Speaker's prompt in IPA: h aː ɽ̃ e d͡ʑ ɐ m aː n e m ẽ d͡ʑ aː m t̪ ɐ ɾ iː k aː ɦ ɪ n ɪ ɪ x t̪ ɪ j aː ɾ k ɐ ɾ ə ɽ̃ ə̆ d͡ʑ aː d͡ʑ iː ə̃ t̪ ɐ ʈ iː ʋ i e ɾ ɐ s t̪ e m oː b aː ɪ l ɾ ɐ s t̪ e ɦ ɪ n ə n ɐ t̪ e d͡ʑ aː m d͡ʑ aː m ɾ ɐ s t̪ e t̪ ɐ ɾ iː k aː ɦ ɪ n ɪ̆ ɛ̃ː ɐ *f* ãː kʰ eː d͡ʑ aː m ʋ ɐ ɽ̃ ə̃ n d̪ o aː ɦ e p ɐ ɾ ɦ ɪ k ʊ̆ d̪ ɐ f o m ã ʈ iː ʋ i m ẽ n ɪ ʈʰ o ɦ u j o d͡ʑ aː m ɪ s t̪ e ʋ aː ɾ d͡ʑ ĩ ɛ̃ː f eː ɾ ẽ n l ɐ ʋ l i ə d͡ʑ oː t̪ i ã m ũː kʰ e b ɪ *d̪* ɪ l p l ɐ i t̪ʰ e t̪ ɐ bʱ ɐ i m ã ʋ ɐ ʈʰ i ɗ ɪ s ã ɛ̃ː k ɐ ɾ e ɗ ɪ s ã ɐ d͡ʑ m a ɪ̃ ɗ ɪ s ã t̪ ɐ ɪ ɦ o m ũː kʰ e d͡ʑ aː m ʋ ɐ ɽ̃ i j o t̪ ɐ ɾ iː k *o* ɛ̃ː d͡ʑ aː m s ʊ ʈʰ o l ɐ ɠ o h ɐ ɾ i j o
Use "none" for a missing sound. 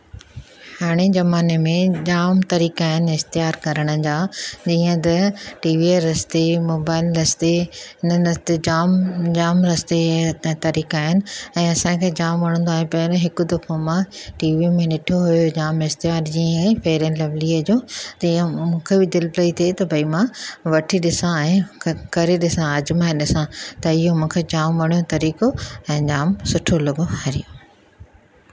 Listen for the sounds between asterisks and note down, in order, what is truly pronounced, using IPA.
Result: s, d̪, o

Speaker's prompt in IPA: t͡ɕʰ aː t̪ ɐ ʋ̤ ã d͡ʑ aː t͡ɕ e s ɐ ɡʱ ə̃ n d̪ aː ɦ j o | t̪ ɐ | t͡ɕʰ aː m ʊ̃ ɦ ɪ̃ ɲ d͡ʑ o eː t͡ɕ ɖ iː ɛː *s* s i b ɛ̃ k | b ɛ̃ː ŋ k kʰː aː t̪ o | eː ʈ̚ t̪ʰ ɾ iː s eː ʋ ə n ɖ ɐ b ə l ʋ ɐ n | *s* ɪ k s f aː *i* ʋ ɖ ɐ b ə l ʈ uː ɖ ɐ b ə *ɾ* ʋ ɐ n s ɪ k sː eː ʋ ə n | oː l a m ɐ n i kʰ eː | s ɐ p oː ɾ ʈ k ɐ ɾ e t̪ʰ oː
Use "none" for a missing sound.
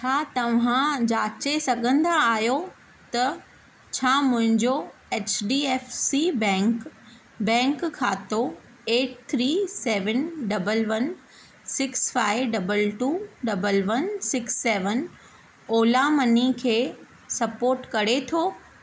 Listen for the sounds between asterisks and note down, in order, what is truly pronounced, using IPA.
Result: f, s, ɪ, l

